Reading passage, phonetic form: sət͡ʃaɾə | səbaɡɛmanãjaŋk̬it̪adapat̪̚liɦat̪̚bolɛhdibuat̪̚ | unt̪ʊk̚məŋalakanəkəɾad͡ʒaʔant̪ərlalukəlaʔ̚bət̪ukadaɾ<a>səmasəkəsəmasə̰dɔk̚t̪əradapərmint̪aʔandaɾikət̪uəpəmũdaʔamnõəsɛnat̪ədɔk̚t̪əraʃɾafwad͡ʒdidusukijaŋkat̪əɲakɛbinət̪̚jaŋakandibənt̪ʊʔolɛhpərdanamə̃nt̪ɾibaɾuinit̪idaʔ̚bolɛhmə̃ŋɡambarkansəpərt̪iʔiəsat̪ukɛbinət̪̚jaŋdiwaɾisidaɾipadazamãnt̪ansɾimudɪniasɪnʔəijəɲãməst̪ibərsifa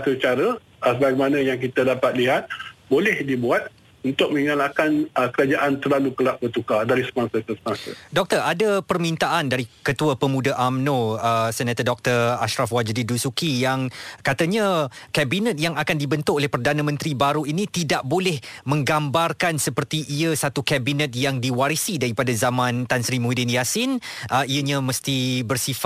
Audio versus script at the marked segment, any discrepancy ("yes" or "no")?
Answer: yes